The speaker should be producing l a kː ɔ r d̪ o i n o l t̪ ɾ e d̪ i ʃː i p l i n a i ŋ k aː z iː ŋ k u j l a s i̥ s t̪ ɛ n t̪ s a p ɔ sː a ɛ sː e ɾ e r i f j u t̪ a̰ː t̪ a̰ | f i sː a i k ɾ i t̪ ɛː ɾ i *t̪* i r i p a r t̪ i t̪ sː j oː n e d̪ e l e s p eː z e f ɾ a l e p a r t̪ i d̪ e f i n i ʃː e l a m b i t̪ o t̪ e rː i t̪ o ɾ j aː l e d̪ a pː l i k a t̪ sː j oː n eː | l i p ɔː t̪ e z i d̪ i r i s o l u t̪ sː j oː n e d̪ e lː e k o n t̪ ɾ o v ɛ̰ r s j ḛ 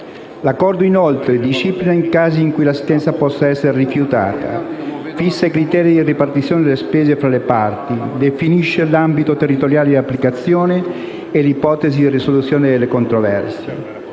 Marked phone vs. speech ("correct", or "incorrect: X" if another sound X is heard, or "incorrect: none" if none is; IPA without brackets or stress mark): incorrect: d̪